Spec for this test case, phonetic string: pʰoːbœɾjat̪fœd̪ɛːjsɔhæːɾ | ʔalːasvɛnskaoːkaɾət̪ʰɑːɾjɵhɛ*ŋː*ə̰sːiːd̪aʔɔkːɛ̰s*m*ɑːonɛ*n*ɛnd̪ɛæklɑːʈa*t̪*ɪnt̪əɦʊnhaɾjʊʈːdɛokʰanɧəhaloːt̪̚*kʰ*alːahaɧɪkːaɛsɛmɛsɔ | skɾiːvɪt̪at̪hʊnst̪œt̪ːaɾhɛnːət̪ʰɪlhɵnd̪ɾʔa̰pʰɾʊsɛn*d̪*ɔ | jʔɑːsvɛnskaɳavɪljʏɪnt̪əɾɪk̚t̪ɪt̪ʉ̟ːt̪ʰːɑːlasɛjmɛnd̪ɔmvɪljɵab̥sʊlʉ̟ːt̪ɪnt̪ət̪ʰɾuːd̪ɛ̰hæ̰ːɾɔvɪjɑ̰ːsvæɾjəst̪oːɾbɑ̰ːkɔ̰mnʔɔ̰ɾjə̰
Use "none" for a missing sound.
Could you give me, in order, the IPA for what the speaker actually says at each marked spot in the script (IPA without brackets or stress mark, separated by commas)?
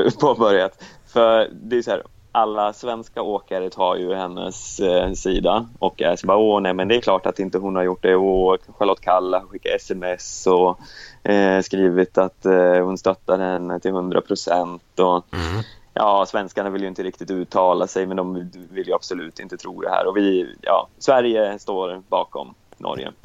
nː, b, m, t̪, kʰ, t̪